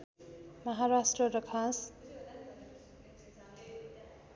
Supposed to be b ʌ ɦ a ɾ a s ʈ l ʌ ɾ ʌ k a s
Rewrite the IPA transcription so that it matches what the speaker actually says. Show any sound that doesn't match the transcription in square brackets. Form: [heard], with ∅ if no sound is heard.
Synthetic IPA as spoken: [m] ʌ ɦ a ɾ a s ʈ [r] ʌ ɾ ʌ [kʰ] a s